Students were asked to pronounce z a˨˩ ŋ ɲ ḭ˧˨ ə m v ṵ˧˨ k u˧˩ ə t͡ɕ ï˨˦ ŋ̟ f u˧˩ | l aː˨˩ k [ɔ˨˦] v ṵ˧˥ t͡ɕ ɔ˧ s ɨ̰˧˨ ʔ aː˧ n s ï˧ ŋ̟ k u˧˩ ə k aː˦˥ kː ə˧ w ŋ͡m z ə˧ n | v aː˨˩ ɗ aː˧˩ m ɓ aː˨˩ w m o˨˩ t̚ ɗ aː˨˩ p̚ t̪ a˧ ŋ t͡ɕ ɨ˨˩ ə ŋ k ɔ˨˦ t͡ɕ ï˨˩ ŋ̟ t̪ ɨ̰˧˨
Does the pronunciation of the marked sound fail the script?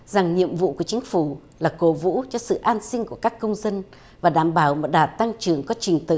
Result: yes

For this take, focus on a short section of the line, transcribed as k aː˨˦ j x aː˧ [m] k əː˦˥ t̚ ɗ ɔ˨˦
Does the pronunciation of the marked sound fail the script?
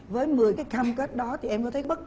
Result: no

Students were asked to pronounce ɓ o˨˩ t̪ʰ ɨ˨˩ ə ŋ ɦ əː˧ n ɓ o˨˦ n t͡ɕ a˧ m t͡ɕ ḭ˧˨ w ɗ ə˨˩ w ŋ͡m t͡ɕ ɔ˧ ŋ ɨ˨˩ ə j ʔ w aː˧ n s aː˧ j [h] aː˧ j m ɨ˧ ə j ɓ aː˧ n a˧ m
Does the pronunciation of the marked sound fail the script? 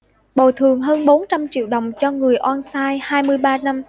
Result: no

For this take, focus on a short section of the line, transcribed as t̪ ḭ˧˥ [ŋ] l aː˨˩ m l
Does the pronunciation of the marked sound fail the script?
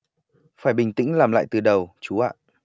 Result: no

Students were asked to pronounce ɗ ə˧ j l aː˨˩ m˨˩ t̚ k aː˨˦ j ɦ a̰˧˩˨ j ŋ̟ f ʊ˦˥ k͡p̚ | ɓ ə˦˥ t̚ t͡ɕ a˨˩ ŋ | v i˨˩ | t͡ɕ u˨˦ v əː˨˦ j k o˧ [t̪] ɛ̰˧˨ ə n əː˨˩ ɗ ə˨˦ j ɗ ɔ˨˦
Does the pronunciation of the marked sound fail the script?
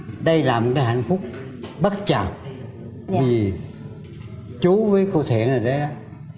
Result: yes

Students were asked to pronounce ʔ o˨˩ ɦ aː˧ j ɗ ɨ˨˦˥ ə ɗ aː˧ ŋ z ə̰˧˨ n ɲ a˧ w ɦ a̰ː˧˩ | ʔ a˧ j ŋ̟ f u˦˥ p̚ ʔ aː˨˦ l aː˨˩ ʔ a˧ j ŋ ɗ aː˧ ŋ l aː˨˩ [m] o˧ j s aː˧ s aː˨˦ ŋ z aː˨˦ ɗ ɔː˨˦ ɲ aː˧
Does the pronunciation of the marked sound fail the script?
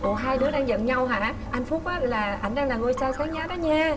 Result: yes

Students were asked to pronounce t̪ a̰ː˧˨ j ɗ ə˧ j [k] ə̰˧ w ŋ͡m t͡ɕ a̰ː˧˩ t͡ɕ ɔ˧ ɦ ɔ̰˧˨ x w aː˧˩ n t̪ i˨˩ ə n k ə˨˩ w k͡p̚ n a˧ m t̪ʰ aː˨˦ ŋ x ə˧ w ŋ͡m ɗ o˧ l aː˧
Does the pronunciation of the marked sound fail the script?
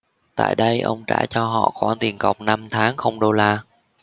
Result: yes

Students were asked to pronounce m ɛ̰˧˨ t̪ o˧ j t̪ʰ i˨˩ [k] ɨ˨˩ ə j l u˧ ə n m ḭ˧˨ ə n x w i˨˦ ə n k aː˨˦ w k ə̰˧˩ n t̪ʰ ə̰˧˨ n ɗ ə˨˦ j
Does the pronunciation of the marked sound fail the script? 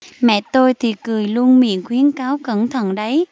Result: no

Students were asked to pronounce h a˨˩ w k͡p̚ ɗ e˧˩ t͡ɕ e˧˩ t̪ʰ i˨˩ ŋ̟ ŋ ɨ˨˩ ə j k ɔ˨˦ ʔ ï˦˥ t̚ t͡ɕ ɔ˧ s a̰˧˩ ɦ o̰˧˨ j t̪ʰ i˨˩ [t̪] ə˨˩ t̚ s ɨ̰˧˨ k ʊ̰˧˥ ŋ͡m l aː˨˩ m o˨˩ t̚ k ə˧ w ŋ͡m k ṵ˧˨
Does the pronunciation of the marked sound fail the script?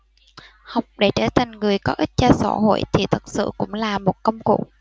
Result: yes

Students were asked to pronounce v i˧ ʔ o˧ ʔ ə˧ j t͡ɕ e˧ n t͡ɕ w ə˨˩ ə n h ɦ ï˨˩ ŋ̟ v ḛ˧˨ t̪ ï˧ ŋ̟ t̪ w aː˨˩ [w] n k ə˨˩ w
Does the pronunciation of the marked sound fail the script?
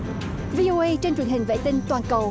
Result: yes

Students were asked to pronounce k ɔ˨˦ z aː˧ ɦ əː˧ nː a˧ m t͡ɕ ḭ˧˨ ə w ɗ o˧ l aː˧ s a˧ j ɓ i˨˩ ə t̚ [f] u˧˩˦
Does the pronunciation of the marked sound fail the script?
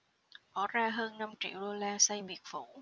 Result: no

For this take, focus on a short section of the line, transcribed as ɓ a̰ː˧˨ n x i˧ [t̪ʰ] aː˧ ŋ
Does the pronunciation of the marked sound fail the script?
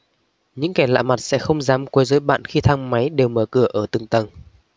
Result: no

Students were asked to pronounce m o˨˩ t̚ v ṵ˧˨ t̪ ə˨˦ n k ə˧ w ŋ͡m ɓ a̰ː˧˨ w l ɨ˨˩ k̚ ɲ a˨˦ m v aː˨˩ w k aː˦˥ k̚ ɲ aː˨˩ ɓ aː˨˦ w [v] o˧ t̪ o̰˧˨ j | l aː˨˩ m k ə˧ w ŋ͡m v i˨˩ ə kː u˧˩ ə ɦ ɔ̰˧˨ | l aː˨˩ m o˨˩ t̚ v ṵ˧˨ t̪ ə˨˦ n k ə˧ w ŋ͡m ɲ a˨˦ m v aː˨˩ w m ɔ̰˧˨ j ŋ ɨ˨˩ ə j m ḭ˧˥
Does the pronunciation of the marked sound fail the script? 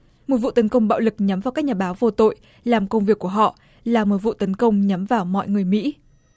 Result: no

